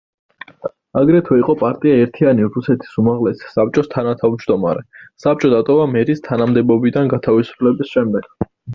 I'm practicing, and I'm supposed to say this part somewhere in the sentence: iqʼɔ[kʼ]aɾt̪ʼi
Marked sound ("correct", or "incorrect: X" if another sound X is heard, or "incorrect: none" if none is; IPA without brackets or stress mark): incorrect: pʼ